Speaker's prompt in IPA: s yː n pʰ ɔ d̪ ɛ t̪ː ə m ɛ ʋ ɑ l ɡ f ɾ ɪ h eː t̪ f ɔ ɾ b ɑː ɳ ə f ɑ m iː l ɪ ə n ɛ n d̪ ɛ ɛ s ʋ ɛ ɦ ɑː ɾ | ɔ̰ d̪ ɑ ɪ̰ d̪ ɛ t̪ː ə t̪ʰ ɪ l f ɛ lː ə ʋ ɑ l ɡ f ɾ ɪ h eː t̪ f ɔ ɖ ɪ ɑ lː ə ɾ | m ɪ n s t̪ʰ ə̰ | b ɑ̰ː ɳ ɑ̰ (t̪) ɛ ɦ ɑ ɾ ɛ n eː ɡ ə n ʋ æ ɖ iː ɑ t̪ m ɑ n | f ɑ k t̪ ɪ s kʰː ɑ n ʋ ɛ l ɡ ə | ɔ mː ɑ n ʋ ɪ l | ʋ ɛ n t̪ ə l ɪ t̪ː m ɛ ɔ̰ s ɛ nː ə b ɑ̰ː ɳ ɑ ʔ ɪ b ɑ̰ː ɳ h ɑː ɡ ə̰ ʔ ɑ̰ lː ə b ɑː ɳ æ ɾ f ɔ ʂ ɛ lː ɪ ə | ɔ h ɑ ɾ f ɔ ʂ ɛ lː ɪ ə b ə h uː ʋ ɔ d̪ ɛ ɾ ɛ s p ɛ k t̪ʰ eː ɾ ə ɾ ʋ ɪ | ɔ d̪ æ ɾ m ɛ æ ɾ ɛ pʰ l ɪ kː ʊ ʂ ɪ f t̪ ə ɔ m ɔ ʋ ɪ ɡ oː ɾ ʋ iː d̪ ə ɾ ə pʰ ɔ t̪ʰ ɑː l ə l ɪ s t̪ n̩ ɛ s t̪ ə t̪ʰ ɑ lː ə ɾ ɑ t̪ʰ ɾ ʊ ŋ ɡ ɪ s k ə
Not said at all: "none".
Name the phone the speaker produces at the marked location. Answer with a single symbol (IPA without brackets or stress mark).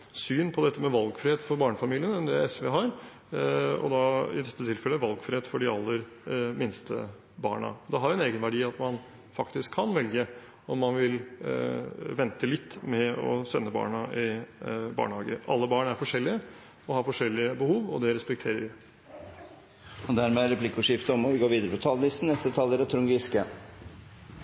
d̪